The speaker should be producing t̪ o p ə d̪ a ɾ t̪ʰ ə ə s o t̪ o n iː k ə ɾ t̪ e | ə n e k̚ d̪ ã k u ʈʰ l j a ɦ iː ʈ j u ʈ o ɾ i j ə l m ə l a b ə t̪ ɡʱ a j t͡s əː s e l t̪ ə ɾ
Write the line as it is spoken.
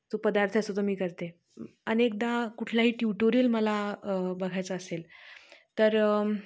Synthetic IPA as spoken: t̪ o p ə d̪ a ɾ t̪ʰ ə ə s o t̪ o m iː k ə ɾ t̪ e | ə n e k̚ d̪ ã k u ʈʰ l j a ɦ iː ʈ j u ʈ o ɾ i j ə l m ə l a b ə ɡʱ a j t͡s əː s e l t̪ ə ɾ

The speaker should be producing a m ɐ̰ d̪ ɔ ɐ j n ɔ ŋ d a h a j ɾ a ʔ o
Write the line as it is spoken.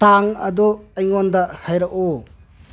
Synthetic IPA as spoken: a ŋ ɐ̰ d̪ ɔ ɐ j ŋ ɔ n d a h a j ɾ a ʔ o

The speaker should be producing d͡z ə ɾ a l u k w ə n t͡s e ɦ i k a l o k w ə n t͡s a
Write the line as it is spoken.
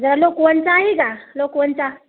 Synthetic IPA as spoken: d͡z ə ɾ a l o k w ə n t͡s a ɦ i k a l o k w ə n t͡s a

